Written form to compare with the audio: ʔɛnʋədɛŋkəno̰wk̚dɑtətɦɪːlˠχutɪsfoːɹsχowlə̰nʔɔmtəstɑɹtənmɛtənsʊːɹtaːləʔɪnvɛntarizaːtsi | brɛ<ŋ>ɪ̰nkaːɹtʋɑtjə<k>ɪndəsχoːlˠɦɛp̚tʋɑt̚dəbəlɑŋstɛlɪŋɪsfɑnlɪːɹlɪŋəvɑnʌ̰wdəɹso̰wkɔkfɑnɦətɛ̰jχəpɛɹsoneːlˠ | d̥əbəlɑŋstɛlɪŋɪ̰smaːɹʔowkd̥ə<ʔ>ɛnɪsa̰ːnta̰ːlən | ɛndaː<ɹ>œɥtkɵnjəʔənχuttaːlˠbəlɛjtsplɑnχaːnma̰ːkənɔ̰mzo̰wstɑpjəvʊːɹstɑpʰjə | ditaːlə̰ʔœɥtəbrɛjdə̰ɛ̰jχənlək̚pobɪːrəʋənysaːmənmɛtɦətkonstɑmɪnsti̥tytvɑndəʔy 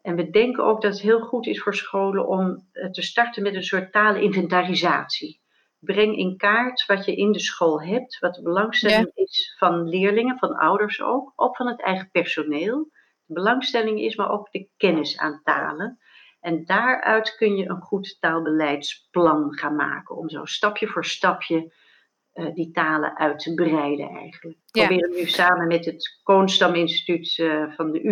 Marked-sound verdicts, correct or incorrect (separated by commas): correct, incorrect, incorrect, correct